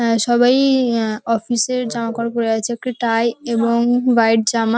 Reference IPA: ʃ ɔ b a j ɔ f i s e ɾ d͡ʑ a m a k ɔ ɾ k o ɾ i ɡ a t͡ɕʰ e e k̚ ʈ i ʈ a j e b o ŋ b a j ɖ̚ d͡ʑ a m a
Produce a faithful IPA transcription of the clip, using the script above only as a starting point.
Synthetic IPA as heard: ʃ ɔ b a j ɔ f i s e ɾ d͡ʑ a m a k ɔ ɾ k o ɾ e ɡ a t͡ɕʰ e e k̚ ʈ i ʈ a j e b o ŋ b a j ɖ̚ d͡ʑ a m a